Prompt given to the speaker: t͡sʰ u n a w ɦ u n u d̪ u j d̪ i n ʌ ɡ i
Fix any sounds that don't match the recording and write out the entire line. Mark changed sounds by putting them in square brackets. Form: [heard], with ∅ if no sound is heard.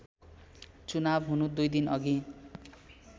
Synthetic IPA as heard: [t͡s] u n a [b] ɦ u n u d̪ u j d̪ i n ʌ ɡ i